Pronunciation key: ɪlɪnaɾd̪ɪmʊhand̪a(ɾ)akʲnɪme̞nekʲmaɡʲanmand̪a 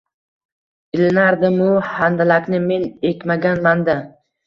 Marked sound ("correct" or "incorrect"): incorrect